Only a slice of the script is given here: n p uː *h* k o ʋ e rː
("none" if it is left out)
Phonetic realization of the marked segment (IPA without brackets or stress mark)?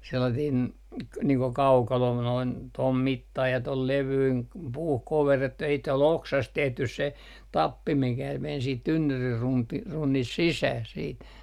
h